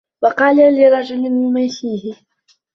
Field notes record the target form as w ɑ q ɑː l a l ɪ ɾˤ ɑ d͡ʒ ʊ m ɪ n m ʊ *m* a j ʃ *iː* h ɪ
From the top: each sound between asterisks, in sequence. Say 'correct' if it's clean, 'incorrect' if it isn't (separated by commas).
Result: correct, correct